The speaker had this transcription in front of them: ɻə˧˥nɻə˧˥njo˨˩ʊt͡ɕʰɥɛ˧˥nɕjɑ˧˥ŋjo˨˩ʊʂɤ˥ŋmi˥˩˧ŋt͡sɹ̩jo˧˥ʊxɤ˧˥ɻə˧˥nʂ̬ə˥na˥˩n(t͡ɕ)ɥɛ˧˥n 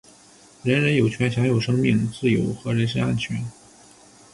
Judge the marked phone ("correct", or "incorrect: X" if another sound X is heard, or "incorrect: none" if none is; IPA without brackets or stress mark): incorrect: t͡ɕʰ